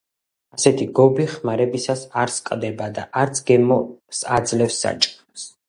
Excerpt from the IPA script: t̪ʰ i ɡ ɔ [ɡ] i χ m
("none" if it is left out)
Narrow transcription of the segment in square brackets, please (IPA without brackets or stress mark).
b